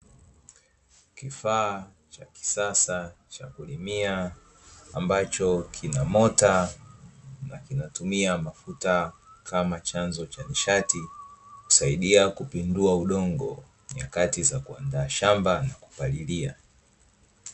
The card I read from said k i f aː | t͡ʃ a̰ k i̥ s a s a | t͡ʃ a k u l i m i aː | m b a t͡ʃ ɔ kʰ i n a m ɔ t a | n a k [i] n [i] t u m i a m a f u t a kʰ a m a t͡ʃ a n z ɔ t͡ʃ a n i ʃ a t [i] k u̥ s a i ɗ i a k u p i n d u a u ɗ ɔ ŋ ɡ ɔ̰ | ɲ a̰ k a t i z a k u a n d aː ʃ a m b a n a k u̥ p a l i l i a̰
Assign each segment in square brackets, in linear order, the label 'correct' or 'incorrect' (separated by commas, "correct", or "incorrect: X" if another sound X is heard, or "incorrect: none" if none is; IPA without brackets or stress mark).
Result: correct, incorrect: a, correct